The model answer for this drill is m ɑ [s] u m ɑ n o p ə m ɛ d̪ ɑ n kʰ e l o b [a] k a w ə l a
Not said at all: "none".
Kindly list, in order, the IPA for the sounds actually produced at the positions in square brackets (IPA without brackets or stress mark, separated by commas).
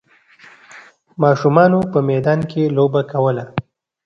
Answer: ʃ, a